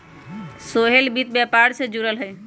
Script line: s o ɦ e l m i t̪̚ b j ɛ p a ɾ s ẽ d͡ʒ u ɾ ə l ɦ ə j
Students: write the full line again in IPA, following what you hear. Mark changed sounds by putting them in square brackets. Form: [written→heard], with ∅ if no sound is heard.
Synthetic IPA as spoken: s o ɦ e l [m→b] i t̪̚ b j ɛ p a ɾ s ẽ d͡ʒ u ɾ ə l ɦ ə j